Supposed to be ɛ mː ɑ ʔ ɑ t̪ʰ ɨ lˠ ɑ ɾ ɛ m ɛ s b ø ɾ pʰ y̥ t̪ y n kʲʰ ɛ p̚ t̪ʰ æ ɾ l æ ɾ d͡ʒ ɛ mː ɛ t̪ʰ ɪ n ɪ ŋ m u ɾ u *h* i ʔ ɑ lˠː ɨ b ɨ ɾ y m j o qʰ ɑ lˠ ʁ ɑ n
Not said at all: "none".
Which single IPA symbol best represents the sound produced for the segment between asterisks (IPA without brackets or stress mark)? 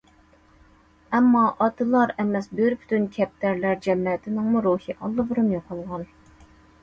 h